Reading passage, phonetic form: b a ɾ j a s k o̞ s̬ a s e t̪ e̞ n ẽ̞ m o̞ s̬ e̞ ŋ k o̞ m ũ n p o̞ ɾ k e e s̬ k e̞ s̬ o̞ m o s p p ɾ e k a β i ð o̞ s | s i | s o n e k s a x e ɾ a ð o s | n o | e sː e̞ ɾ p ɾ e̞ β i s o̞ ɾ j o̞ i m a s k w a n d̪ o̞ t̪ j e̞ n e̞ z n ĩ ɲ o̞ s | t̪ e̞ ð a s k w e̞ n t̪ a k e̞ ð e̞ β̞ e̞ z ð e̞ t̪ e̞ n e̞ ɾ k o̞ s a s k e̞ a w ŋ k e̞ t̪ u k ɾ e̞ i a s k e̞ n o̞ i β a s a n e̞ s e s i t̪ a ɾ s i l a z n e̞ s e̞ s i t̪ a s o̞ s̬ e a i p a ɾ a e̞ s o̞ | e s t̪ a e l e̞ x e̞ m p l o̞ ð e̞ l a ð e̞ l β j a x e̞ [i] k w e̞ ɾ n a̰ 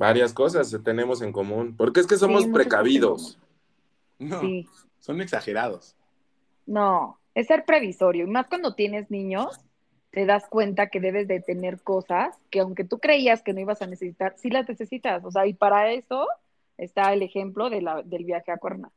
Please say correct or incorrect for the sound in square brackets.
incorrect